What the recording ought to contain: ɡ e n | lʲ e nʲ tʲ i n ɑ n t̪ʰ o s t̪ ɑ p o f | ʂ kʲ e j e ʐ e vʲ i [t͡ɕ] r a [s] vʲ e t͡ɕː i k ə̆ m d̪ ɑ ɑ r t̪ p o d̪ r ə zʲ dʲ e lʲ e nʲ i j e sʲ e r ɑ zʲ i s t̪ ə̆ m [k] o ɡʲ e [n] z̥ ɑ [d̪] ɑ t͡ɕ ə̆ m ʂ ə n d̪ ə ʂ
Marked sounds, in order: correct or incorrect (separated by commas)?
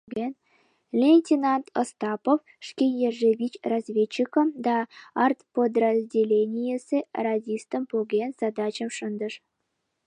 correct, incorrect, incorrect, correct, correct